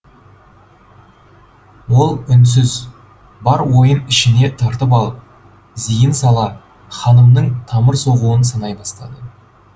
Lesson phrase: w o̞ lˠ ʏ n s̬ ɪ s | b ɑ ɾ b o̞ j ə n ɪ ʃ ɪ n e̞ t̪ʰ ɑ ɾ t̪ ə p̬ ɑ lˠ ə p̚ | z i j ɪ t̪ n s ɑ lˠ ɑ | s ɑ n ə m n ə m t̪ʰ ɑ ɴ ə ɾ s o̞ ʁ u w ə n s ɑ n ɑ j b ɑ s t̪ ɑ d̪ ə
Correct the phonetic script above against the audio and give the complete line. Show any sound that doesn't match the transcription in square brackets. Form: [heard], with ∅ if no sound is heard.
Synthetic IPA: w o̞ lˠ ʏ n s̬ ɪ [z] | b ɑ ɾ [w] o̞ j ə n ɪ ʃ ɪ n e̞ t̪ʰ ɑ ɾ t̪ ə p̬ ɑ lˠ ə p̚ | z i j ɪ [∅] n s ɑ lˠ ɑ | [χ] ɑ n ə m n ə [ɴ] t̪ʰ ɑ [m] ə ɾ s o̞ ʁ u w ə n s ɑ n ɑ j b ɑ s t̪ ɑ d̪ ə